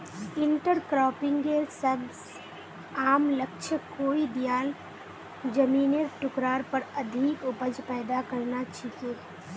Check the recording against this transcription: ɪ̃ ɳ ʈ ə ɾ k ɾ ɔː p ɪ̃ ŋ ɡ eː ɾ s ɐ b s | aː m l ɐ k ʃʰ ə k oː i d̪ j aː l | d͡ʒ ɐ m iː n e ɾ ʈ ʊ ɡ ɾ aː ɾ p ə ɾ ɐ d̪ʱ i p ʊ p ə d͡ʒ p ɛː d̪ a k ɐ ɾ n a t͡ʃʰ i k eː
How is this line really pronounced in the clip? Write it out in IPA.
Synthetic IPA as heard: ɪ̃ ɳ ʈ ə ɾ k ɾ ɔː p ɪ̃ ŋ ɡ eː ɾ s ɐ b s | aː m l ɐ k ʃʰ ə k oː i d̪ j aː l | d͡ʒ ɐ m iː n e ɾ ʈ ʊ k ɾ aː ɾ p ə ɾ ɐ d̪ʱ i k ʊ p ə d͡ʒ p ɛː d̪ a k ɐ ɾ n a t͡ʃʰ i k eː